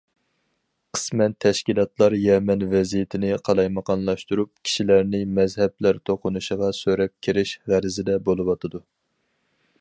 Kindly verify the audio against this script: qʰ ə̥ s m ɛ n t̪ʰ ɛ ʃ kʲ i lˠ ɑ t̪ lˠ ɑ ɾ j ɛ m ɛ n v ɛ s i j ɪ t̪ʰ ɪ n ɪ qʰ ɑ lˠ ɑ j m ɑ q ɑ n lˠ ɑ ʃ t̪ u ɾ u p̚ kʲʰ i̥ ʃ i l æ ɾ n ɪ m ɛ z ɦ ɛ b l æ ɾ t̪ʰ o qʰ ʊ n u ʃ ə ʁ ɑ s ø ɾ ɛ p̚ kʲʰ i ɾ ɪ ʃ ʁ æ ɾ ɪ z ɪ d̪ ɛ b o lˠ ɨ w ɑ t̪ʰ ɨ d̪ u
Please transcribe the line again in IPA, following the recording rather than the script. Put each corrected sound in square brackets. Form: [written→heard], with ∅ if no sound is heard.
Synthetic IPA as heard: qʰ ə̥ s m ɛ n t̪ʰ ɛ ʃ kʲ i lˠ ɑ t̪ lˠ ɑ ɾ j ɛ m ɛ n v ɛ [s→z] i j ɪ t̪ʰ ɪ n ɪ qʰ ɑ lˠ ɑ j m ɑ q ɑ n lˠ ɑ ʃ t̪ u ɾ u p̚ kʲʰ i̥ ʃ i l æ ɾ n ɪ m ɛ z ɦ ɛ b l æ ɾ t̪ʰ o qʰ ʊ n u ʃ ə ʁ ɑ s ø ɾ ɛ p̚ kʲʰ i ɾ ɪ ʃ ʁ æ ɾ ɪ z ɪ d̪ ɛ b o lˠ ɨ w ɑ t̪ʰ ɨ d̪ u

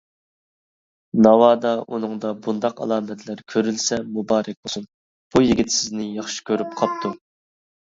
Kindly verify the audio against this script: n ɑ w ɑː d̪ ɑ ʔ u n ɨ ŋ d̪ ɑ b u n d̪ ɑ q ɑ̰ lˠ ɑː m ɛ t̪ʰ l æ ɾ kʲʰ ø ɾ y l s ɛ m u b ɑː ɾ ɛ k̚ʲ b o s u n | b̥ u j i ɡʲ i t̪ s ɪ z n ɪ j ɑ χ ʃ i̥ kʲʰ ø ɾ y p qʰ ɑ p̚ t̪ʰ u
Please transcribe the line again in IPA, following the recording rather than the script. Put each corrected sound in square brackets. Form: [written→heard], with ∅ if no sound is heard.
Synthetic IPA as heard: n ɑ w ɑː d̪ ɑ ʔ u n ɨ ŋ d̪ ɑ b u n d̪ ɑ q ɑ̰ lˠ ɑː m ɛ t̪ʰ l æ ɾ kʲʰ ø ɾ y l s ɛ m u b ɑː ɾ ɛ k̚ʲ b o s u n | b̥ u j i ɡʲ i t̪ s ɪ z n ɪ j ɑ χ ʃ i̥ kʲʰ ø ɾ y p qʰ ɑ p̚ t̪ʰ u

